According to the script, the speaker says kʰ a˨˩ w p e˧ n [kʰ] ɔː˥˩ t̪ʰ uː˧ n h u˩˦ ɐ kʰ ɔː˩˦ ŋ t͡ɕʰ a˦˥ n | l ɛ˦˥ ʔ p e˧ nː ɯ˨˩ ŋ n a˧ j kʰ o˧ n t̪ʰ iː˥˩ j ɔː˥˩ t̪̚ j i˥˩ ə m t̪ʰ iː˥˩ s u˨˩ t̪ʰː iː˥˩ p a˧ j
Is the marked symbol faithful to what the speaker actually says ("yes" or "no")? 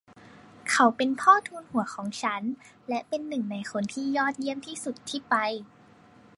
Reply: no